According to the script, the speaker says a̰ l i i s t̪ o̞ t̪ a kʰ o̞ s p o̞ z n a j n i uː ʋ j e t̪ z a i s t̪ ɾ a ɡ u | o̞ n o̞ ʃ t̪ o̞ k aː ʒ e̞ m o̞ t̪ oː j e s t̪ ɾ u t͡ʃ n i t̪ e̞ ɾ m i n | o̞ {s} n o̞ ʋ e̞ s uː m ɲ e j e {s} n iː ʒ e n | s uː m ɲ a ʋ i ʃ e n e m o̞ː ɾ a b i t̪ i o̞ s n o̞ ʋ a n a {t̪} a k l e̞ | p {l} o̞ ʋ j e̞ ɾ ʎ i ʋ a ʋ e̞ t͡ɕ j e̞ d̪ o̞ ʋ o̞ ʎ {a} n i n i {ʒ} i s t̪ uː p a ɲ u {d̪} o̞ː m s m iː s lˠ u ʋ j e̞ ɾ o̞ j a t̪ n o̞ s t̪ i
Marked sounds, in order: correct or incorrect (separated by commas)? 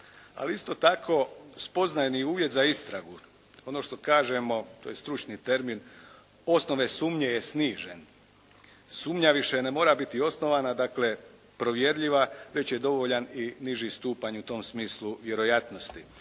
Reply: correct, correct, incorrect, incorrect, correct, correct, incorrect